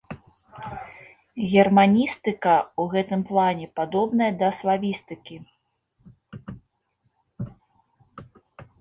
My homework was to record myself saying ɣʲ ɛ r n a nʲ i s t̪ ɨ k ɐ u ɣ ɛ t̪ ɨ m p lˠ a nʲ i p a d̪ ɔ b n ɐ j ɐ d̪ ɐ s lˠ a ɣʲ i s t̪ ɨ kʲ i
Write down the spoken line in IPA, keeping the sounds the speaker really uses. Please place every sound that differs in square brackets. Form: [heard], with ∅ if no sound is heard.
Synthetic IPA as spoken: ɣʲ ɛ r [m] a nʲ i s t̪ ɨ k ɐ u ɣ ɛ t̪ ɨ m p lˠ a nʲ [ɛ] p a d̪ ɔ b n ɐ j ɐ d̪ ɐ s lˠ a [vʲ] i s t̪ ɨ kʲ i